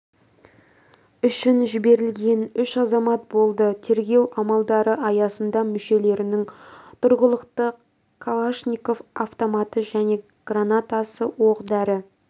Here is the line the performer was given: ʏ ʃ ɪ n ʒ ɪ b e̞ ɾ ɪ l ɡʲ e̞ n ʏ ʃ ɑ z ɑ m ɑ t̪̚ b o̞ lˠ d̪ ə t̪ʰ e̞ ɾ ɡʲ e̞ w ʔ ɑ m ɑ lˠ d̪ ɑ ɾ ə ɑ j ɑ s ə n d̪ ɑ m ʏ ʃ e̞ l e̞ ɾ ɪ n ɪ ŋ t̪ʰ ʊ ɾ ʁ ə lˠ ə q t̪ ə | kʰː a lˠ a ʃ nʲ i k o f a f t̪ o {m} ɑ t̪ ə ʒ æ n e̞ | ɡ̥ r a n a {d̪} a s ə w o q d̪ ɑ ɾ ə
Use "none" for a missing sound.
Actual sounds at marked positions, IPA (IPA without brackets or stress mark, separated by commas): m, t̪